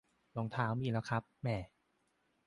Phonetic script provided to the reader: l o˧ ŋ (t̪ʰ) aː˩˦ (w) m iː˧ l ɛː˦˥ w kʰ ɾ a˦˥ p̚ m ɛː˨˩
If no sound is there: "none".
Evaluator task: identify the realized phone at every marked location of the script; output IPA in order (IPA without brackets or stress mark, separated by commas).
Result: t̪ʰ, w